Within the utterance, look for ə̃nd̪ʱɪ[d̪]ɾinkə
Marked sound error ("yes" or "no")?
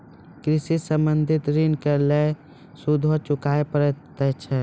yes